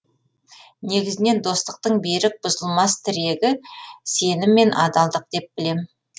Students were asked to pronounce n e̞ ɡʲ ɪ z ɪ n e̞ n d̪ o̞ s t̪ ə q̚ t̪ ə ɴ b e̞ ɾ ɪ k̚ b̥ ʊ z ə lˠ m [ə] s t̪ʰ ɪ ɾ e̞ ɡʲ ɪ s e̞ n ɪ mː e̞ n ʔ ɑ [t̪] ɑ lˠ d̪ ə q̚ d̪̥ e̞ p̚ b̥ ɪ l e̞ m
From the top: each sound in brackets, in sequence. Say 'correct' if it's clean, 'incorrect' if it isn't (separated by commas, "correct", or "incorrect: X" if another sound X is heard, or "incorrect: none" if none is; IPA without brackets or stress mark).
incorrect: ɑ, incorrect: d̪